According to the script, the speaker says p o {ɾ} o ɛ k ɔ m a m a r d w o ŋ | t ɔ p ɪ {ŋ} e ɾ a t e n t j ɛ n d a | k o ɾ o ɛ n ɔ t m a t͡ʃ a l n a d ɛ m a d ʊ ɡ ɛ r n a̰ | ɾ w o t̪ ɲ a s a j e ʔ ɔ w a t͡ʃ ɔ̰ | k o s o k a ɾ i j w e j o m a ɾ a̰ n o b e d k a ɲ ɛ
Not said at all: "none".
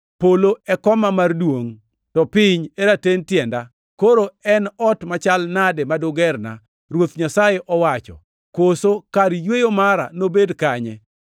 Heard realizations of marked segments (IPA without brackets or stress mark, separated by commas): l, ɲ